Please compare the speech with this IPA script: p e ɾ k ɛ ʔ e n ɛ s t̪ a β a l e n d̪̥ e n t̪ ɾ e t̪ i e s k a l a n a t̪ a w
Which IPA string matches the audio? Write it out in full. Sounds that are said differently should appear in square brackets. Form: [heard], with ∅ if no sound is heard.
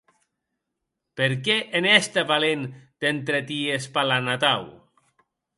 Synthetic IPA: p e ɾ k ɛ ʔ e n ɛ s t̪ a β a l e n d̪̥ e n t̪ ɾ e t̪ i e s [p] a l a n a t̪ a w